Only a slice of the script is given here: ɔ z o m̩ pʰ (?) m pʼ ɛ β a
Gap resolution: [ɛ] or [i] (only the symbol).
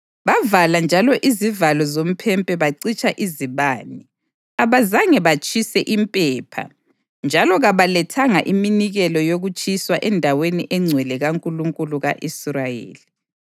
ɛ